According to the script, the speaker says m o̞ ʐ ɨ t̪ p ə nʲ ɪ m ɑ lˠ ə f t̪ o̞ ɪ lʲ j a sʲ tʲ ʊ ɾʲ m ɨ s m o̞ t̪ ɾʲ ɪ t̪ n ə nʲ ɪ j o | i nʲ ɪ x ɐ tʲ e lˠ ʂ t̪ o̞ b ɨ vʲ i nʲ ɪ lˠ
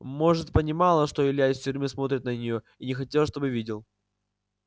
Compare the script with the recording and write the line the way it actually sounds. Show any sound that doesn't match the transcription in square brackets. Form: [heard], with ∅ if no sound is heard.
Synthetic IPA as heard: m o̞ ʐ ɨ t̪ p ə nʲ ɪ m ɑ lˠ ə [ʂ] t̪ o̞ ɪ lʲ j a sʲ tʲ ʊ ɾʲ m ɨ s m o̞ t̪ ɾʲ ɪ t̪ n ə nʲ ɪ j o | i nʲ ɪ x ɐ tʲ e lˠ ʂ t̪ o̞ b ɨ vʲ i [dʲ] ɪ lˠ